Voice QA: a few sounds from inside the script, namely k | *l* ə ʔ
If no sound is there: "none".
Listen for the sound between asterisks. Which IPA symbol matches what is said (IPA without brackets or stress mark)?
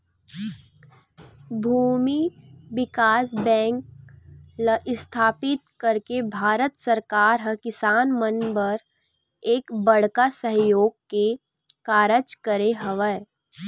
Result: l